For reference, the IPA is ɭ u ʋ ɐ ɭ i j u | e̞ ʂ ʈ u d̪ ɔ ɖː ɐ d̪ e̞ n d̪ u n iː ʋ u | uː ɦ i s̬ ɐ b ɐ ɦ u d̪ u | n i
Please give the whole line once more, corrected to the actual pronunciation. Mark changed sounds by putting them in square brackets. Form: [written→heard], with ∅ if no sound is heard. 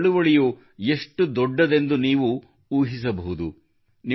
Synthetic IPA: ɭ u ʋ ɐ ɭ i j u | e̞ ʂ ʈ u d̪ ɔ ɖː ɐ d̪ e̞ n d̪ u n iː ʋ u | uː ɦ i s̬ ɐ b ɐ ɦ u d̪ u | n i